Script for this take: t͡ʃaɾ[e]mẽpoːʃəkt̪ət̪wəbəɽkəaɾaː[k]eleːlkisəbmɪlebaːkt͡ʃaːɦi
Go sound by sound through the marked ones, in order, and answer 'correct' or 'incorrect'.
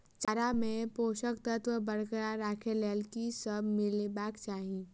incorrect, incorrect

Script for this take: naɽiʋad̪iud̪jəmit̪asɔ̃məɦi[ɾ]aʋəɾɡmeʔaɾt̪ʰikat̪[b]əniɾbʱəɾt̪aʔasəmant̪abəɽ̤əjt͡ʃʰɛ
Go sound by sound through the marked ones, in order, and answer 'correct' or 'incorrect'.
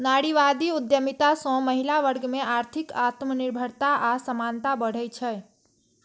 incorrect, incorrect

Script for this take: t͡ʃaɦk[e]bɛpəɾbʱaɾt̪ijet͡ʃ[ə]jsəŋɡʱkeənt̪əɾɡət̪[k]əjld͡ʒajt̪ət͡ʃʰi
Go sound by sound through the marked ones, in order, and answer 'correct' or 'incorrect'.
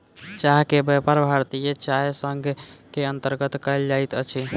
correct, incorrect, correct

